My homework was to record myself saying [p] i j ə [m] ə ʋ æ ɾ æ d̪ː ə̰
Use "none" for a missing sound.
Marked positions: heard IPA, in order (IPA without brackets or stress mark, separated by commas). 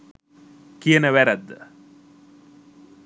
k, n